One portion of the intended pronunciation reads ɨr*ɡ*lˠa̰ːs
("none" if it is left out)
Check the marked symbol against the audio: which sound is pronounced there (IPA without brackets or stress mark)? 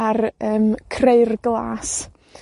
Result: ɡ